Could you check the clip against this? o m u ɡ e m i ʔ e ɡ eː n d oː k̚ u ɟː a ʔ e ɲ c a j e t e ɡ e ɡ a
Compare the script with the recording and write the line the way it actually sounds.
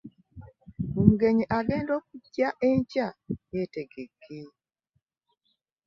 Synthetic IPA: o m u ɡ e ɲ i ʔ a ɡ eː n d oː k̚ u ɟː a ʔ e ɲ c a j e t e ɡ e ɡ e